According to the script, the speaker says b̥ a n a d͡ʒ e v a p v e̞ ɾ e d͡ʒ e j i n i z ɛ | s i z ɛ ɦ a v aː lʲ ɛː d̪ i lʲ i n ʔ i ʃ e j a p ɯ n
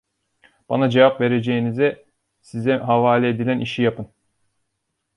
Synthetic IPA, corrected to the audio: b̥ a n a d͡ʒ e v a p v e̞ ɾ e d͡ʒ e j i n i z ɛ | s i z ɛ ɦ a v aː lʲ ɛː d̪ i lʲ æ n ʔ i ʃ i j a p ɯ n